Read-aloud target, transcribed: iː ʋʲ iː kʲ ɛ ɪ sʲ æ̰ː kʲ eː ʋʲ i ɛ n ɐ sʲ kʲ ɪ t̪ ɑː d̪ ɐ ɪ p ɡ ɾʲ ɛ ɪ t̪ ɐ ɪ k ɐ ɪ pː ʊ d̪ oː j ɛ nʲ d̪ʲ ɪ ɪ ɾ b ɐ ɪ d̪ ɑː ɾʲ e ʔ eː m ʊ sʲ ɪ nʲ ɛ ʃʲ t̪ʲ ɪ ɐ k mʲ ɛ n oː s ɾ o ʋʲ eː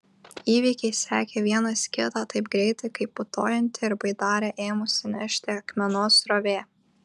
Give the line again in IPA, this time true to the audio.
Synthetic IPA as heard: iː ʋʲ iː kʲ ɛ ɪ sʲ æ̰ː kʲ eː ʋʲ i ɛ n ɐ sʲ kʲ ɪ t̪ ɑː t̪ ɐ ɪ p ɡ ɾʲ ɛ ɪ t̪ ɐ ɪ k ɐ ɪ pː ʊ t̪ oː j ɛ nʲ t̪ʲ ɪ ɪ ɾ b ɐ ɪ d̪ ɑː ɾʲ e ʔ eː m ʊ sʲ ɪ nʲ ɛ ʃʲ t̪ʲ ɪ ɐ k mʲ ɛ n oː s ɾ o ʋʲ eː

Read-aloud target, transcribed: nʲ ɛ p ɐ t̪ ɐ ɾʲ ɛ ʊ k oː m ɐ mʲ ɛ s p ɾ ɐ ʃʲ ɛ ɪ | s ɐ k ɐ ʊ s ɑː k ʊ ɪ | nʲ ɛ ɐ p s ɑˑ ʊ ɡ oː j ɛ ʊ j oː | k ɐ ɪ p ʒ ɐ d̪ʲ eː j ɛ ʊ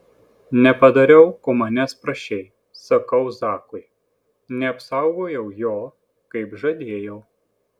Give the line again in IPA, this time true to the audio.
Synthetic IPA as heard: nʲ ɛ p ɐ d̪ ɐ ɾʲ ɛ ʊ k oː m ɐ nʲ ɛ s p ɾ ɐ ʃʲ ɛ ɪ | s ɐ k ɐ ʊ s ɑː k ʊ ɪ | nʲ ɛ ɐ p s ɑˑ ʊ ɡ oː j ɛ ʊ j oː | k ɐ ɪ p ʒ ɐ d̪ʲ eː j ɛ ʊ

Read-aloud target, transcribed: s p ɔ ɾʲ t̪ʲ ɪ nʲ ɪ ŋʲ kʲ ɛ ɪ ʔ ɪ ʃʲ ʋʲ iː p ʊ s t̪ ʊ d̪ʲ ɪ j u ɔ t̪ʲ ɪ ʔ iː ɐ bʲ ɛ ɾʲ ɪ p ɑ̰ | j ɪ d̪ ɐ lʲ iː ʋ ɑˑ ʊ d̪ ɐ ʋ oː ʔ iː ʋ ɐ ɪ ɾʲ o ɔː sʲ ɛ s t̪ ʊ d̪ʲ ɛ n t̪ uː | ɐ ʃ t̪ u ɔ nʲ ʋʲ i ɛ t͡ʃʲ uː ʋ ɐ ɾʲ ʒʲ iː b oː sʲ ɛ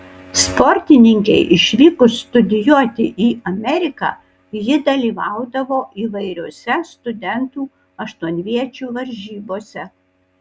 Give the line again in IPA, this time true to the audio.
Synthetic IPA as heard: s p ɔ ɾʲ t̪ʲ ɪ nʲ ɪ ŋʲ kʲ ɛ ɪ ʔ ɪ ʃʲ ʋʲ iː k ʊ s t̪ ʊ d̪ʲ ɪ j u ɔ t̪ʲ ɪ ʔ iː ɐ mʲ ɛ ɾʲ ɪ k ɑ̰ | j ɪ d̪ ɐ lʲ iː ʋ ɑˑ ʊ d̪ ɐ ʋ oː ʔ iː ʋ ɐ ɪ ɾʲ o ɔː sʲ ɛ s t̪ ʊ d̪ʲ ɛ n t̪ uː | ɐ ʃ t̪ u ɔ nʲ ʋʲ i ɛ t͡ʃʲ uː ʋ ɐ ɾʲ ʒʲ iː b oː sʲ ɛ

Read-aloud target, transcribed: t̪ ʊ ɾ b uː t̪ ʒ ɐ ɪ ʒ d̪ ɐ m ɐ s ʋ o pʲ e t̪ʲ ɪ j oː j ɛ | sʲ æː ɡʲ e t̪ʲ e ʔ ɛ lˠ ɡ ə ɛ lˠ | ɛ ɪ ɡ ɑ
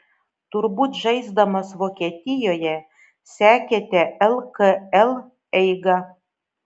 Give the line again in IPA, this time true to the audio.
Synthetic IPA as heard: t̪ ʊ ɾ b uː t̪ ʒ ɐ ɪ z d̪ ɐ m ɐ s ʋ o kʲ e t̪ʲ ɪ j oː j ɛ | sʲ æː kʲ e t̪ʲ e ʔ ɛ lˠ k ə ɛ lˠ | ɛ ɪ ɡ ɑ

